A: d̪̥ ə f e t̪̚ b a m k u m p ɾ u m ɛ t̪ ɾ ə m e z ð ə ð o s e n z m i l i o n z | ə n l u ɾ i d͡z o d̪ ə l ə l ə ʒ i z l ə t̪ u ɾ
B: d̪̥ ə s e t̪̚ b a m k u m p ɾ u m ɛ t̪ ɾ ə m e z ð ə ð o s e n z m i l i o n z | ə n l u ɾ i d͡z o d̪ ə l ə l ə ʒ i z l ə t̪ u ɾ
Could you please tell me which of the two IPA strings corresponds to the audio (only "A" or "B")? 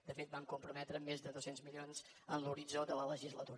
A